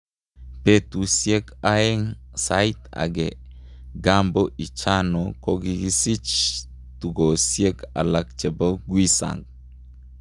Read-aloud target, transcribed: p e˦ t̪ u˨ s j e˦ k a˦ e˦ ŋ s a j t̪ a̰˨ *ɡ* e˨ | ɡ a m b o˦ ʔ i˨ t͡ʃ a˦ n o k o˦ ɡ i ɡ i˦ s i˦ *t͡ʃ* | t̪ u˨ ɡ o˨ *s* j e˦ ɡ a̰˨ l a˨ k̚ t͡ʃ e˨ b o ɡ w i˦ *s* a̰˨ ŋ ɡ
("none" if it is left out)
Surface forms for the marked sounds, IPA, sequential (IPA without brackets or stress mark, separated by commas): ɡ, t͡ʃ, s, s